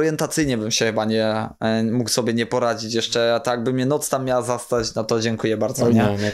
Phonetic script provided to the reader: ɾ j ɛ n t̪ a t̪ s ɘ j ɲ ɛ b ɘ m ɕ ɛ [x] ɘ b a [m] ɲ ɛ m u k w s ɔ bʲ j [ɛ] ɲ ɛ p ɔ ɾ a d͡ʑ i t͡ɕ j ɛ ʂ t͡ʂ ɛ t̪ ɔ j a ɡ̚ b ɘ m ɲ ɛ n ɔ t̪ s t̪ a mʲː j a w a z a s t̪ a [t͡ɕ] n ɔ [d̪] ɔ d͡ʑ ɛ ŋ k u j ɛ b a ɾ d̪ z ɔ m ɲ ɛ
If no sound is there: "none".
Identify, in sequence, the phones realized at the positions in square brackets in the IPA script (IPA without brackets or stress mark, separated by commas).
x, none, ɛ, t͡ɕ, t̪